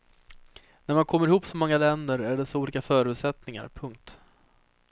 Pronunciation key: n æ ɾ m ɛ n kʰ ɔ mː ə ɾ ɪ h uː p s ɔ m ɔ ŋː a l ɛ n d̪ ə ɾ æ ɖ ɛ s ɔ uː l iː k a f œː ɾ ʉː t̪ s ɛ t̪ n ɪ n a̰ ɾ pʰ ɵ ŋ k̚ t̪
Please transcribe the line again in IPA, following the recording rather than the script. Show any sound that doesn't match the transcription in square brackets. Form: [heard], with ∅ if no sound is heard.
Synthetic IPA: n æ ɾ m [a] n kʰ ɔ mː ə ɾ ɪ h uː p s ɔ m ɔ ŋː a l ɛ n d̪ ə ɾ æ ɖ ɛ s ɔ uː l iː k a f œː ɾ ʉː t̪ s ɛ t̪ n ɪ [ŋ] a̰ ɾ pʰ ɵ ŋ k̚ t̪